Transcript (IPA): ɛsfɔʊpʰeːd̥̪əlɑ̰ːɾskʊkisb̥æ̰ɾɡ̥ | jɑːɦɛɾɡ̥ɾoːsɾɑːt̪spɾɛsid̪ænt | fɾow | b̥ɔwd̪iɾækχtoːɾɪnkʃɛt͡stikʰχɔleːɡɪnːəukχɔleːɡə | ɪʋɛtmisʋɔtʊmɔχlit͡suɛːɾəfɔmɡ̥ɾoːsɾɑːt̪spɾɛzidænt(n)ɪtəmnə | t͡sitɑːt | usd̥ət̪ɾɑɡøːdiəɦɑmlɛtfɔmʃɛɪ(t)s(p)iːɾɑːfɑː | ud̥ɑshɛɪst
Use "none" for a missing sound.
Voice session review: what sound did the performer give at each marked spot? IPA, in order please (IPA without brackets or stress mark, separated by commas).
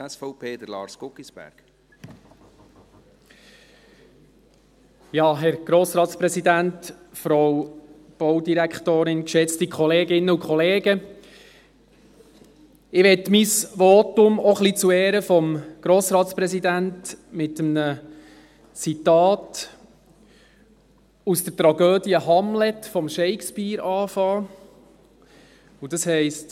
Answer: m, k, p